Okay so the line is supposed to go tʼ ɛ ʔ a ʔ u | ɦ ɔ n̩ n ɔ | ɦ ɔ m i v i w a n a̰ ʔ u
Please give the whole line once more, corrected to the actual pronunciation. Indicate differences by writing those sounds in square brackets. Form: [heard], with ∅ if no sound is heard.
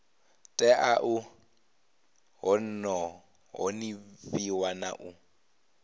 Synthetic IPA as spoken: tʼ ɛ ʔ a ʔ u | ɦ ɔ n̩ n ɔ | ɦ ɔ [n] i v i w a n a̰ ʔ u